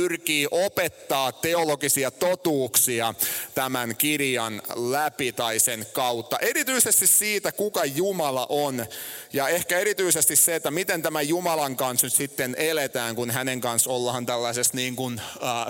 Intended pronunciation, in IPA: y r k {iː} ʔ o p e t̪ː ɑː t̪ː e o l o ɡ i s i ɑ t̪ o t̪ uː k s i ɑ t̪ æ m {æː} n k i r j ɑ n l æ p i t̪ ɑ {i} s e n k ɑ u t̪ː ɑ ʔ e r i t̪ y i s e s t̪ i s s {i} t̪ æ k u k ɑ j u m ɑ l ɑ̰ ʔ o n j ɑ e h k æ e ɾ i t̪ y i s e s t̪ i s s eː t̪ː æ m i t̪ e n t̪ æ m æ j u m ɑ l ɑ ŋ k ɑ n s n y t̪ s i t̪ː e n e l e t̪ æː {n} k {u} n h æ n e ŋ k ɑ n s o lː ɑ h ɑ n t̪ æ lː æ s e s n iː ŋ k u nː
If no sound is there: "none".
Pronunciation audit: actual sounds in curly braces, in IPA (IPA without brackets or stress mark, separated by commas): iː, æ, i, iː, ŋ, u